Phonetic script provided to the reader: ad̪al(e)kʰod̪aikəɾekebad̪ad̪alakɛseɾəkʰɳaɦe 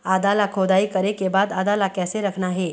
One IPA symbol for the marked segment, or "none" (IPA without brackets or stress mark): a